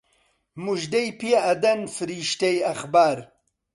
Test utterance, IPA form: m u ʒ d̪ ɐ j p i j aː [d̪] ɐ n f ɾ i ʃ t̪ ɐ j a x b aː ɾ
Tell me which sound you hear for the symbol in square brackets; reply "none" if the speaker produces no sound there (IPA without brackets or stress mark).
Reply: d̪